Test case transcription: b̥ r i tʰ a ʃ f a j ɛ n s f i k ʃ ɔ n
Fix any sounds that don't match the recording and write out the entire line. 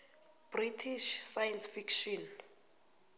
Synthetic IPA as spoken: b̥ r i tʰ i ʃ s a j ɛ n s f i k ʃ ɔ n